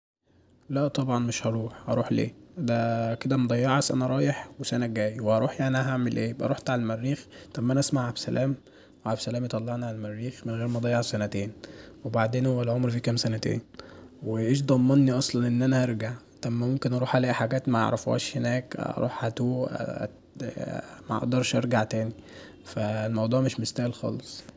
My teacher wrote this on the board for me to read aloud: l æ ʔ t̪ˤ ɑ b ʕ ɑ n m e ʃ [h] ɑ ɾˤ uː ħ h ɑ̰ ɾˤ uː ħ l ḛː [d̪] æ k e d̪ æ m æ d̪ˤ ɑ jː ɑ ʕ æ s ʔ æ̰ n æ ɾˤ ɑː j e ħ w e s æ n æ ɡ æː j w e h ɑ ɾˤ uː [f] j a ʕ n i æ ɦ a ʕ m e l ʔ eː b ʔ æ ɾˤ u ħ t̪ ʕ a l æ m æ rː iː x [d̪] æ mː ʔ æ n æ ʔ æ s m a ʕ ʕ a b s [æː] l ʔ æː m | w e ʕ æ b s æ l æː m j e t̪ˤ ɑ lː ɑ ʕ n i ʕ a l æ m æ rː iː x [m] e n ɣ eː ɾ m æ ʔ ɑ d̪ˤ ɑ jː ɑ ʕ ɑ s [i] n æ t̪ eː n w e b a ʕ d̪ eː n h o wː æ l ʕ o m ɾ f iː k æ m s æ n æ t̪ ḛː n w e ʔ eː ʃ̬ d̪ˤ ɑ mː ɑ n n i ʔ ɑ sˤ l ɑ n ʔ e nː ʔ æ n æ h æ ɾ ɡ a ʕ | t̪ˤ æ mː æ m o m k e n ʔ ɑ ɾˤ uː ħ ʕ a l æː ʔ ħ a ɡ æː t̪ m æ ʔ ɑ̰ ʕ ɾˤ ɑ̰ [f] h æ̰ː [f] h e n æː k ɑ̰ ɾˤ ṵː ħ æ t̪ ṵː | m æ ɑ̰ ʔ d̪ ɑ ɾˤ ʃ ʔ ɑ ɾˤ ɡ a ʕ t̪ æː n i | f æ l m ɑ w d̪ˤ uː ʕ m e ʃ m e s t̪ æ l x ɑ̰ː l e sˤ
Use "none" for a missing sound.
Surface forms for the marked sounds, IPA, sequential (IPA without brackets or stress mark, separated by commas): h, d̪, ħ, t̪, æ, m, æ, f, ʃ